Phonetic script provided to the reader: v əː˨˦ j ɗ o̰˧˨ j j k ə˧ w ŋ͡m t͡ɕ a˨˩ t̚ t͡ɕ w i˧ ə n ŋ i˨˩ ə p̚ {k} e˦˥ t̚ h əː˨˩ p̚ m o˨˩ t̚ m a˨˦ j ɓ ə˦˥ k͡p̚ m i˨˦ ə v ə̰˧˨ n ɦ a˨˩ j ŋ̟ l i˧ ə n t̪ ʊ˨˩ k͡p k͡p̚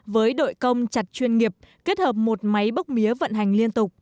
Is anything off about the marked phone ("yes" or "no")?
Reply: no